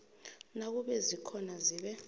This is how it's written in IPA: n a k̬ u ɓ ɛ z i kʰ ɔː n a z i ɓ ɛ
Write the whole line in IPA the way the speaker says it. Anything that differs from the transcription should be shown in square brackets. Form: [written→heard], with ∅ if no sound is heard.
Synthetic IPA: n a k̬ u ɓ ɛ z i kʰ [ɔː→ɔ] n a z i ɓ ɛ